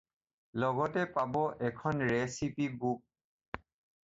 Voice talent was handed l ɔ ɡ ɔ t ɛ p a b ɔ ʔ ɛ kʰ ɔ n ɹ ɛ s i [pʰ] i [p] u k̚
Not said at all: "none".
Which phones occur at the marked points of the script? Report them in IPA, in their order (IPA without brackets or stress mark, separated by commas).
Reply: p, b